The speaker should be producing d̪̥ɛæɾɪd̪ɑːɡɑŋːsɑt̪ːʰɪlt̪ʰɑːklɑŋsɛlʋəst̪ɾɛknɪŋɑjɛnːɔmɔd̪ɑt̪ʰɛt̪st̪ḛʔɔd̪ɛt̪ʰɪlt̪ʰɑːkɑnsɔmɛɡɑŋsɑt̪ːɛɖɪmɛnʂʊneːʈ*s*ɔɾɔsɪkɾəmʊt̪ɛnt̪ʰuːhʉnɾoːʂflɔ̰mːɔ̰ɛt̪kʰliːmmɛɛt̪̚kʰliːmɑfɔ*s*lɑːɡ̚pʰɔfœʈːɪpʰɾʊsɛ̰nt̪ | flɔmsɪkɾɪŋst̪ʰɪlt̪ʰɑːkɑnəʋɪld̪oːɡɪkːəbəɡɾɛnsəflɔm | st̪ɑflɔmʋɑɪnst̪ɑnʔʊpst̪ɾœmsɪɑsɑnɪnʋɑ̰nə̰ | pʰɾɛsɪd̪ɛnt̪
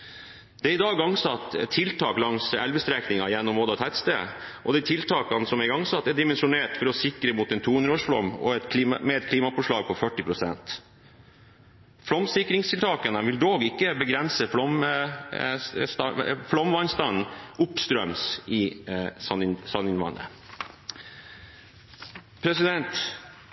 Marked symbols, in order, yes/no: no, no

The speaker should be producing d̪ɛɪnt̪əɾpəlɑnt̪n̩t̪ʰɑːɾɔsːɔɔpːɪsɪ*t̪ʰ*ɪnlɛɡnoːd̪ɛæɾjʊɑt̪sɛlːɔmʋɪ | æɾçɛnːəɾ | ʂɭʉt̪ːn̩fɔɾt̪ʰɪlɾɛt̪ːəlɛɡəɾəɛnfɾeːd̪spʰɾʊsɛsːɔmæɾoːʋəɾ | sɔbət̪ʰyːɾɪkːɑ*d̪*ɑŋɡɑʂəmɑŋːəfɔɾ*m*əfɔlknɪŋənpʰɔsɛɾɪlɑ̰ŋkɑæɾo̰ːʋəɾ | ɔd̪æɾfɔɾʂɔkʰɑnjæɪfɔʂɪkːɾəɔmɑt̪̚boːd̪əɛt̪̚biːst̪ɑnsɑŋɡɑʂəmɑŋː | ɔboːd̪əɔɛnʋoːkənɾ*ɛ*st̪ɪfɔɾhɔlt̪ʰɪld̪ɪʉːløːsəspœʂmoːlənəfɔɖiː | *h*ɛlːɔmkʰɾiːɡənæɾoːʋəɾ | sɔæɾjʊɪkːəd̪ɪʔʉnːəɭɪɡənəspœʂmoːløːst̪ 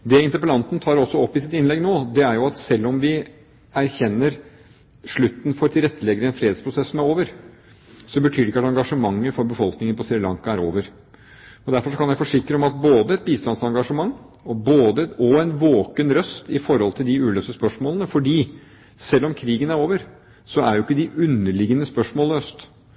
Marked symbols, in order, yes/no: no, no, no, no, no

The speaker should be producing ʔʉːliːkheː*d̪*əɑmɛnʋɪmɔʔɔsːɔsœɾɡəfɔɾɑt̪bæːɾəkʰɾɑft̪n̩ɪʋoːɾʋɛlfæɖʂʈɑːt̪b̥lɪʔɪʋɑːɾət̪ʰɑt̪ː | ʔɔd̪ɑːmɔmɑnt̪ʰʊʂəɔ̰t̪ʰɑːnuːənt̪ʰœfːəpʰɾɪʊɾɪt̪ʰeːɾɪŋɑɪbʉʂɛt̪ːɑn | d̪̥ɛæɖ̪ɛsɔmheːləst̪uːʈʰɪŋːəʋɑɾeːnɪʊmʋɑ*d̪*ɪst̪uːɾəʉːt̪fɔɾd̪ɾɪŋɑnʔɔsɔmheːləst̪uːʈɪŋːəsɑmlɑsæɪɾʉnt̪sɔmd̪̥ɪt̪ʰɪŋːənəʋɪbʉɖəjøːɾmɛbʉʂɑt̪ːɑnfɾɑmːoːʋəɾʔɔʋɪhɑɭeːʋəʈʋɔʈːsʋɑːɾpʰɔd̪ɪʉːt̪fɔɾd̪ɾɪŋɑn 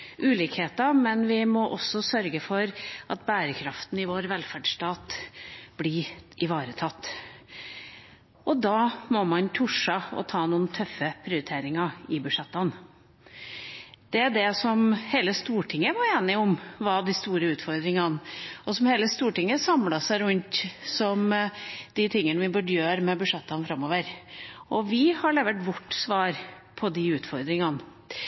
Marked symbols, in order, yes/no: no, yes

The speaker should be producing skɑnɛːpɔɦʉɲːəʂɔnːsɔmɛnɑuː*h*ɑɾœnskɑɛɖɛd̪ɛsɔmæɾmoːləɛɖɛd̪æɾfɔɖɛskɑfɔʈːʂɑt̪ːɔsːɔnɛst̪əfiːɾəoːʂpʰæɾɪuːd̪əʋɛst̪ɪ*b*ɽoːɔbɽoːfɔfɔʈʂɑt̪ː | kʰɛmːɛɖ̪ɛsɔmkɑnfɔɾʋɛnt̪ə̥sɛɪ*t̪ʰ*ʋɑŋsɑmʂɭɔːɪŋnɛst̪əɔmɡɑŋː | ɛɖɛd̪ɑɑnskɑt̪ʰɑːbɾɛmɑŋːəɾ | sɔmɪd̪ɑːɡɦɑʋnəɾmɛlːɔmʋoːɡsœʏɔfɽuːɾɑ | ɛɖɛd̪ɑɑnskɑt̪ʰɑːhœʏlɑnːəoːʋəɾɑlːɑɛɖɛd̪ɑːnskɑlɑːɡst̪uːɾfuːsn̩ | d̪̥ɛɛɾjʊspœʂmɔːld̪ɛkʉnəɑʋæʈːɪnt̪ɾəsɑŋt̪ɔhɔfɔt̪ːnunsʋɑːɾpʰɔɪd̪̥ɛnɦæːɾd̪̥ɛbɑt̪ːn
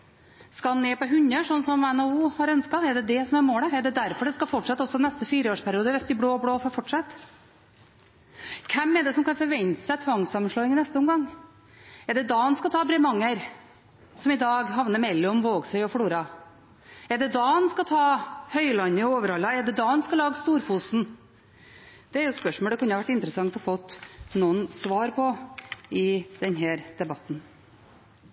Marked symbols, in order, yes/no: yes, yes, yes

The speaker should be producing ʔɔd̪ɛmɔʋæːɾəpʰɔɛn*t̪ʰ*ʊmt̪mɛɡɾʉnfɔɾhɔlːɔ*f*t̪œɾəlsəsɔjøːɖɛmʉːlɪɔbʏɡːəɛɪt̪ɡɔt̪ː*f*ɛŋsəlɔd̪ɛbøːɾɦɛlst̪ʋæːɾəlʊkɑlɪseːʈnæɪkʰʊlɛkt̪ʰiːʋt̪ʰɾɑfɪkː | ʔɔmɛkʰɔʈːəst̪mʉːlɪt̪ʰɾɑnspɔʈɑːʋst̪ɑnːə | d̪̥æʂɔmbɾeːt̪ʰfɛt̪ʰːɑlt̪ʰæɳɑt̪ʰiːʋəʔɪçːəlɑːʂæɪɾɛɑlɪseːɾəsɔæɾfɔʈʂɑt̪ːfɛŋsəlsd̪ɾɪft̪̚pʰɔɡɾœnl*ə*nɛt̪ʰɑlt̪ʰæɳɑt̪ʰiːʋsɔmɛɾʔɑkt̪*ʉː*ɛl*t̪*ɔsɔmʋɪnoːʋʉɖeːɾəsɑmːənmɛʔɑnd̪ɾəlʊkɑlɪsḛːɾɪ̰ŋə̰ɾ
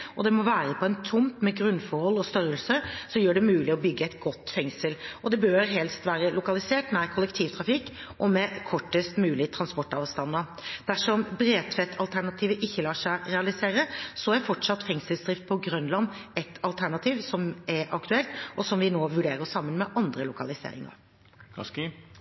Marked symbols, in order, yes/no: yes, no, yes, no, no, yes

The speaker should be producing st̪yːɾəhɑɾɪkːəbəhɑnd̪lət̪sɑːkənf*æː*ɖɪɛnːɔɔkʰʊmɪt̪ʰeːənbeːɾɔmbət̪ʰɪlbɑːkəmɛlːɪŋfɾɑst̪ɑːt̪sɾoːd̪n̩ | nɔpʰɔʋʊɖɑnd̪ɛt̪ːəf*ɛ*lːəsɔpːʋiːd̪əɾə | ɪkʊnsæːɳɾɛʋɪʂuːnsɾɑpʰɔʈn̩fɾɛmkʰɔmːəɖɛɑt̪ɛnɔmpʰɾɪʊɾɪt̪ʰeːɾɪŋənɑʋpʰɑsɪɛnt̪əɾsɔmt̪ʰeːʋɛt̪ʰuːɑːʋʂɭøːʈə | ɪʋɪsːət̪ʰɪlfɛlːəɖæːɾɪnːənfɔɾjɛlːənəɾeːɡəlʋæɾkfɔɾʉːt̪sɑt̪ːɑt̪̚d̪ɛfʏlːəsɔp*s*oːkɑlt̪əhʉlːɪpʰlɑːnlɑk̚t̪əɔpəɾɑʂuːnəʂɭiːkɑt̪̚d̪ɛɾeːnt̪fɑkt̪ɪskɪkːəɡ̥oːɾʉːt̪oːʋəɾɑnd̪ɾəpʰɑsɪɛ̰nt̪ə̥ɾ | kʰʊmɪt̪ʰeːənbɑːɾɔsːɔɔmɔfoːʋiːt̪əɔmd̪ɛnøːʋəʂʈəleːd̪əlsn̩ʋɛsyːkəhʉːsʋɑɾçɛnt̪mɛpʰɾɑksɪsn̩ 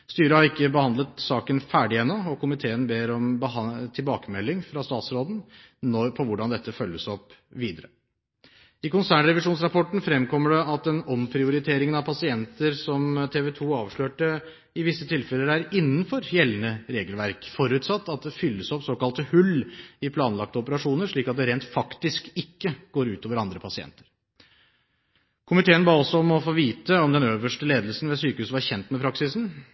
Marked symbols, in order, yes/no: yes, no, yes

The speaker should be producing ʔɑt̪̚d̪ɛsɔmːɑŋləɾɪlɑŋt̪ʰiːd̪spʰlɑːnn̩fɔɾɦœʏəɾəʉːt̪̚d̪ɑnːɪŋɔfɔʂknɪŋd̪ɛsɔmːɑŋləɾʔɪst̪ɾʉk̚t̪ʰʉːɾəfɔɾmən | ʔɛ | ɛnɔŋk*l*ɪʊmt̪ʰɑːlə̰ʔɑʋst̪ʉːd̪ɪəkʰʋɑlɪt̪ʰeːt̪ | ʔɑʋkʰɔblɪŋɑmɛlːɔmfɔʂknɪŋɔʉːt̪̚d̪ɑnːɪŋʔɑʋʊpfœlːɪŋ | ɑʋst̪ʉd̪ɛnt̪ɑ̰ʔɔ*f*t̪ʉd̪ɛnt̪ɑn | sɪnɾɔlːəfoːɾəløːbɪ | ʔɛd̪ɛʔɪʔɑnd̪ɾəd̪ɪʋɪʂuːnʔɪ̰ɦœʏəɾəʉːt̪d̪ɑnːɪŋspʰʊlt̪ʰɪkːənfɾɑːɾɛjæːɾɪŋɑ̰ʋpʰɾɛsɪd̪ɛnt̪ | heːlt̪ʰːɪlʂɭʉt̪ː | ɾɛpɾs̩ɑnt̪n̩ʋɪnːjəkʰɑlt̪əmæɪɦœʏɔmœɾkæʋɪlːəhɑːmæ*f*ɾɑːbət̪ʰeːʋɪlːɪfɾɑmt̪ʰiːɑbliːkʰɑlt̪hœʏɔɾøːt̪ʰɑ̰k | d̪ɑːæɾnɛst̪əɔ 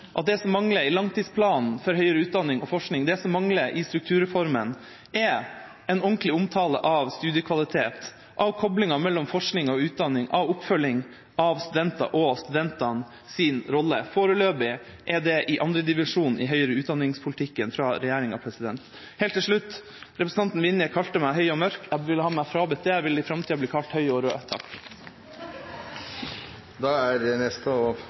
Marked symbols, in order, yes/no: yes, no, yes

